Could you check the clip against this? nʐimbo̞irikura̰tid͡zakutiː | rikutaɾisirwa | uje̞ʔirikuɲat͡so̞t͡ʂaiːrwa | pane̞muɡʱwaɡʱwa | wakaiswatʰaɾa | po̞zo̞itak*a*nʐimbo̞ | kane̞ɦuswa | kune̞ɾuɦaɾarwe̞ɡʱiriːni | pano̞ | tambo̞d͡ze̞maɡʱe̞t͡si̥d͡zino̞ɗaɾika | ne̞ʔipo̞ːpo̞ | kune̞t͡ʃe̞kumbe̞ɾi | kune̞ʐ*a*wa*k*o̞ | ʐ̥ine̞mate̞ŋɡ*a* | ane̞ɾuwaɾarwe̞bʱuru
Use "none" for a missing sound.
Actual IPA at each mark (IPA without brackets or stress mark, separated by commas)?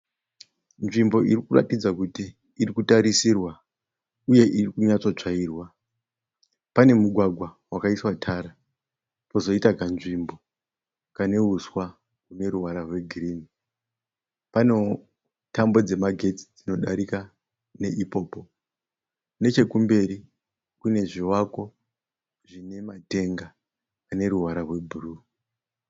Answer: a, i, k, a